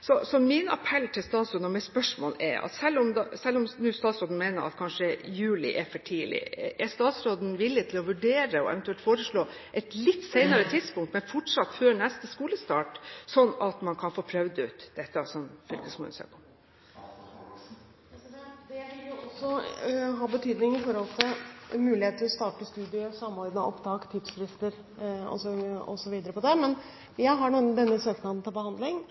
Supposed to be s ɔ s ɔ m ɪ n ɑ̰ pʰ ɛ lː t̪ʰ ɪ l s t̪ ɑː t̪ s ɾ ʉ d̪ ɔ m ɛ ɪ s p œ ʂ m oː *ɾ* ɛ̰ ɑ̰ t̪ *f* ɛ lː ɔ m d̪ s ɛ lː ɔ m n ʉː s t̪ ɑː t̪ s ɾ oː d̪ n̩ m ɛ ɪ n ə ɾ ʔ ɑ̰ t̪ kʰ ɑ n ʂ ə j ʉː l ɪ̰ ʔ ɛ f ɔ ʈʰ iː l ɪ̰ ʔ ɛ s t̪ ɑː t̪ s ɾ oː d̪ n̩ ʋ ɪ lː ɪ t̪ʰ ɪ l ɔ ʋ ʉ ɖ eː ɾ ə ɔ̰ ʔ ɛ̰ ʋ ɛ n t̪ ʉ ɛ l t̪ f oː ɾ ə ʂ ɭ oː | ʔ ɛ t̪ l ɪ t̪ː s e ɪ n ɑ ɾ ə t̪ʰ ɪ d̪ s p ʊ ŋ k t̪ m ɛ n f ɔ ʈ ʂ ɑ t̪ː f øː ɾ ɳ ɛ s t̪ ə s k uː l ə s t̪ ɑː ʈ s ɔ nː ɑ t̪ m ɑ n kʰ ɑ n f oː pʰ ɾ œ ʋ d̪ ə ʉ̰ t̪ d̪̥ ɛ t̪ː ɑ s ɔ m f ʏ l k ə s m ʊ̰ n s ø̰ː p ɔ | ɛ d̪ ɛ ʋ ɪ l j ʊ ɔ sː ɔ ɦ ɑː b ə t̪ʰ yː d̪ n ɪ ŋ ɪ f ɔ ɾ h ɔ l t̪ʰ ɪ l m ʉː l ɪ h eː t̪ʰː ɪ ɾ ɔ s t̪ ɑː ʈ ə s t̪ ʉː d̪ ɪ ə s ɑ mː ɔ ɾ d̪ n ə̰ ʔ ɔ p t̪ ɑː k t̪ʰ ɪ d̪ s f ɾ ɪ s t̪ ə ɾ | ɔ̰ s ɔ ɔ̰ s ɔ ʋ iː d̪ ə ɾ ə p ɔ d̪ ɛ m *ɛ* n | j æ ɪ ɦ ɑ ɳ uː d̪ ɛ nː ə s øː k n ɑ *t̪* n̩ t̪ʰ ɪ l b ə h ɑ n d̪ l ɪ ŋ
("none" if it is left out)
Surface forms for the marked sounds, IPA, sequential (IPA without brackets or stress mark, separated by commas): l, s, ɛ, d̪